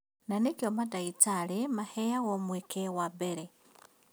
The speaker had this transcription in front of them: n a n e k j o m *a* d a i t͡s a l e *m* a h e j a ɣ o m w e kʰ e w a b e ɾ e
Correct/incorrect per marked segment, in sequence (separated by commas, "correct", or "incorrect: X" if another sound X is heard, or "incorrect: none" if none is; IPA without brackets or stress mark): correct, correct